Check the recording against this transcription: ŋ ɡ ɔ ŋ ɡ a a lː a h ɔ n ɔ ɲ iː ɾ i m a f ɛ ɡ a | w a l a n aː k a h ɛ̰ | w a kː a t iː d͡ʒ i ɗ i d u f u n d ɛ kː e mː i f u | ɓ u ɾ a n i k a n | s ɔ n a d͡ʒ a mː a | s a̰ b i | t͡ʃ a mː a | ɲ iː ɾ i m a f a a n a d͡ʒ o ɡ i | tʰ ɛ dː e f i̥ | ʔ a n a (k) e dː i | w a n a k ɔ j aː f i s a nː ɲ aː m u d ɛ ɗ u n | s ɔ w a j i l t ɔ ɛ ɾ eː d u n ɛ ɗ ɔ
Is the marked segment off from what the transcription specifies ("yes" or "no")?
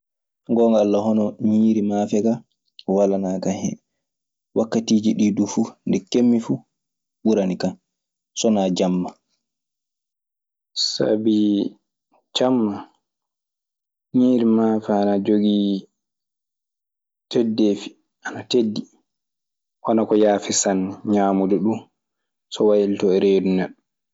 yes